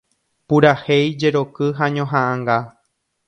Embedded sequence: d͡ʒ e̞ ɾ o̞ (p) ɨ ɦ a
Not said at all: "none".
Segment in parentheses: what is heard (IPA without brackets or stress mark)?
k